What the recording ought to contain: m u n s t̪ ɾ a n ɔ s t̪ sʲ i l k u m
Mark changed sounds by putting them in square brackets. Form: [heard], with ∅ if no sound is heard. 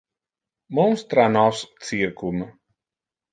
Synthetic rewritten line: m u [m] s t̪ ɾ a n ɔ s t̪ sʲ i [ɾ] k u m

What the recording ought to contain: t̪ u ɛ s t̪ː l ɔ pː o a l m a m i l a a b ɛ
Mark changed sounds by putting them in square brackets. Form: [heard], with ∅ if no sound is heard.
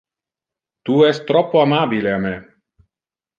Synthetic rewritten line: t̪ u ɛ s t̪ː [ɾ] ɔ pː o a [∅] m a [b] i l [e] a [m] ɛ

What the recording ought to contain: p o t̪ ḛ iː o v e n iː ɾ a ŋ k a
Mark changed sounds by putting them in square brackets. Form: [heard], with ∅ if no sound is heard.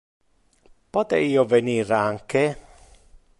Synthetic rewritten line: p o t̪ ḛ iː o v e n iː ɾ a ŋ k [e]

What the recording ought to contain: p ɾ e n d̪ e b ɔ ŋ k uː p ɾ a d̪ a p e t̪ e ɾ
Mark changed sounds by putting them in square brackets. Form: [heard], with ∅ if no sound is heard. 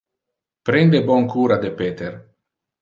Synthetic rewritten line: p ɾ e n d̪ e b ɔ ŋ k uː [∅] ɾ a d̪ [e] p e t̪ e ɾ

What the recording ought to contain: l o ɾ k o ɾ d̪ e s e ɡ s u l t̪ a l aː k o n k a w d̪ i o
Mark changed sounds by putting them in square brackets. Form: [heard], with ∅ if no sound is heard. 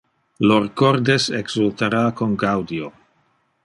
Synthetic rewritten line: l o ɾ k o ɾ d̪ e s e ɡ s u l t̪ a [ɾ] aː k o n [ɡ] a w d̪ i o

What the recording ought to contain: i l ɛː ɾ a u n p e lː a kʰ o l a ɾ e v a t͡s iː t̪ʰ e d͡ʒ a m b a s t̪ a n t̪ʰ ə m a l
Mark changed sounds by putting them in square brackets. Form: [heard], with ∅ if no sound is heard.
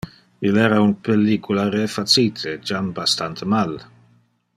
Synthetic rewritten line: i l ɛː ɾ a u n p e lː [i] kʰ [u] l a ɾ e [f] a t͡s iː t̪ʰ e d͡ʒ a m b a s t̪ a n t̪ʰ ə m a l

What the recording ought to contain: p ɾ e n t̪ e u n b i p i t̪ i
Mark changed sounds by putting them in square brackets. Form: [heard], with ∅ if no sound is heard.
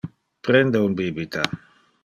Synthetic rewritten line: p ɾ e n [d̪] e u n b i [b] i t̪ [a]

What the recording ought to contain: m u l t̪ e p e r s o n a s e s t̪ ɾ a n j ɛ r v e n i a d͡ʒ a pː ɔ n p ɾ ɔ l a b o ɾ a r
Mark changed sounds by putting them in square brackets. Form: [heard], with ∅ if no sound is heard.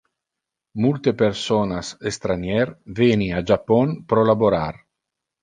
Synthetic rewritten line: m u l t̪ e p e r s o n a s e s t̪ ɾ a n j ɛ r v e n i a d͡ʒ a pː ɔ n p ɾ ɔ l a b o ɾ a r

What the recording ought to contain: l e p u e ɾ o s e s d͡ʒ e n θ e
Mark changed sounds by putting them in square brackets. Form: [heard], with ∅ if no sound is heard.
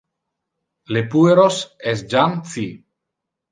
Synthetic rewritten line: l e p u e ɾ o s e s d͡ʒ [a] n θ [i]

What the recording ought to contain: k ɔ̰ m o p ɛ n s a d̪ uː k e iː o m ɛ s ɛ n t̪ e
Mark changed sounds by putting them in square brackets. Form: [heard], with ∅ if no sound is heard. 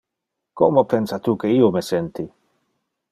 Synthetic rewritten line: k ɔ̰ m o p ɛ n s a [t̪] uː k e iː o m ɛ s ɛ n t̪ [i]

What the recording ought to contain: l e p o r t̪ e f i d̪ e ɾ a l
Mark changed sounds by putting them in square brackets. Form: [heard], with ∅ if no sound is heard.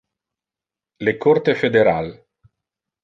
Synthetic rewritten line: l e [k] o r t̪ e f [e] d̪ e ɾ a l

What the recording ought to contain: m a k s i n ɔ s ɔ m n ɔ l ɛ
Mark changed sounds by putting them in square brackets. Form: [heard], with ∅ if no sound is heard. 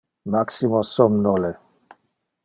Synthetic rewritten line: m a k s i [m] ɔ s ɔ m n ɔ l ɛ

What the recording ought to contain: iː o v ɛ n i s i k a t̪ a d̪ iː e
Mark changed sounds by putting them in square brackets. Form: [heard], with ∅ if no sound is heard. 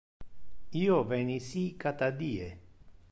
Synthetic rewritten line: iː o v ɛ n i s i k a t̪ a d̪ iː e

